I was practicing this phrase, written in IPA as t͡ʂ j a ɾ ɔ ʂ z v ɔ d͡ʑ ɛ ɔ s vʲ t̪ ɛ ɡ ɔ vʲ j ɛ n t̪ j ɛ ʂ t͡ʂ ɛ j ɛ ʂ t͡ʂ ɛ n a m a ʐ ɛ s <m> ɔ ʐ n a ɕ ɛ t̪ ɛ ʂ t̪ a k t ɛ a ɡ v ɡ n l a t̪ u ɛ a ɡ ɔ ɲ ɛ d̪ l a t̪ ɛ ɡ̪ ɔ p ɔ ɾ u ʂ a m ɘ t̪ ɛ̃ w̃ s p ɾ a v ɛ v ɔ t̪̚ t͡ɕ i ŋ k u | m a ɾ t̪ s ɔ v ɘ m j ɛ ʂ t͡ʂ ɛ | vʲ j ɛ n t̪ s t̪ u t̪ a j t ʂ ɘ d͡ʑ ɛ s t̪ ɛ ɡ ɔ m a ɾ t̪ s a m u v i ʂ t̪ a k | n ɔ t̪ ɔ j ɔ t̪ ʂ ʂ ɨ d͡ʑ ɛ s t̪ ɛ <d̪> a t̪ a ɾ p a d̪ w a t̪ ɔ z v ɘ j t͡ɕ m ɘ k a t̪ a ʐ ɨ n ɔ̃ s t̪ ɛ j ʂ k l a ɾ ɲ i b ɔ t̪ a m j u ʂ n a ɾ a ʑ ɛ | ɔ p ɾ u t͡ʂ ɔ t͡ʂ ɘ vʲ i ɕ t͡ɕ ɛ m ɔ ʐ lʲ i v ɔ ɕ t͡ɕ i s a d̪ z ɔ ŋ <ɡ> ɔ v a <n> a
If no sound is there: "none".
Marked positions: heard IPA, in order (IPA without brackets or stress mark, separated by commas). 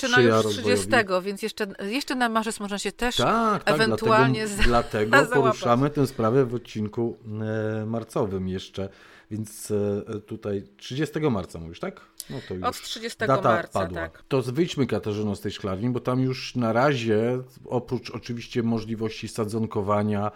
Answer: m, d̪, k, ɲ